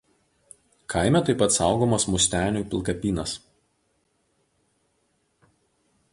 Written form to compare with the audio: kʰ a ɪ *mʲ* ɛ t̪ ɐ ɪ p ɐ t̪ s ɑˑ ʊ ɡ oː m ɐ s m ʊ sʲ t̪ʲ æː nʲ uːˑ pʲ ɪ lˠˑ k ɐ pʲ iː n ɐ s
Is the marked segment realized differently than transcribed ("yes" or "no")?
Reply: no